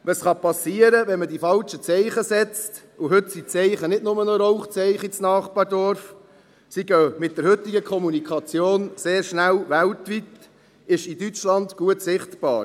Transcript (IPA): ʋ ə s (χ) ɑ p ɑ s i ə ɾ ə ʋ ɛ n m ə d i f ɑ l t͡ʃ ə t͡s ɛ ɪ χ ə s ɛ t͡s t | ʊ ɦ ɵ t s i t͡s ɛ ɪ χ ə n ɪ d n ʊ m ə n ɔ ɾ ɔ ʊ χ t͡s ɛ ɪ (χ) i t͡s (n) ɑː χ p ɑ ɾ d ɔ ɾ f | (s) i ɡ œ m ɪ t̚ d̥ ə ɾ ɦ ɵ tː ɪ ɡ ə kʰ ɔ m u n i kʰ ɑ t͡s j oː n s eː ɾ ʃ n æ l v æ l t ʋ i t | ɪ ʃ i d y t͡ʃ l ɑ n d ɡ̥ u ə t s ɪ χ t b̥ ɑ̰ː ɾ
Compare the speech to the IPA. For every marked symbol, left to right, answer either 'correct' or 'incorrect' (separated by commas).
correct, correct, correct, correct